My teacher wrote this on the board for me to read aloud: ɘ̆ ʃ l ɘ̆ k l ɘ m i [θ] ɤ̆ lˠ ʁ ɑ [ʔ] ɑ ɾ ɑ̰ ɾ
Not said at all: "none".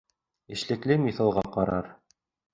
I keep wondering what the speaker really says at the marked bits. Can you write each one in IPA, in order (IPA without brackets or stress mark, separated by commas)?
θ, q